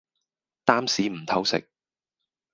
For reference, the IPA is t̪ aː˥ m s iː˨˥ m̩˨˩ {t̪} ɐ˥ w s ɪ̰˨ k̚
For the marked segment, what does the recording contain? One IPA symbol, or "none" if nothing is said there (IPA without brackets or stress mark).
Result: t̪ʰ